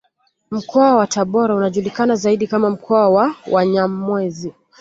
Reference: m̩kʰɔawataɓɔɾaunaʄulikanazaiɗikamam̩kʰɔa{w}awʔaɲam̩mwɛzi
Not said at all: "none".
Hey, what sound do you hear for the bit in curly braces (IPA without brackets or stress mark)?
w